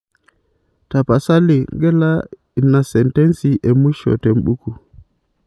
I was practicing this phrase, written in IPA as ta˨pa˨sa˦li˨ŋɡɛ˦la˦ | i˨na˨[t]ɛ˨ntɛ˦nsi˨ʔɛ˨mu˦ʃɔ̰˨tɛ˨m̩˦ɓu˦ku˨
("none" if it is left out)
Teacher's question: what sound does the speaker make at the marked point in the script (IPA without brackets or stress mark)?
s